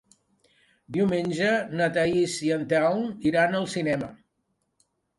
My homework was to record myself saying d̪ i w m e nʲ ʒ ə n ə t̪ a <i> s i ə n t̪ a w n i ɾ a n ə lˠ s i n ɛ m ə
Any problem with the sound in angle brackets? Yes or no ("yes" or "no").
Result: no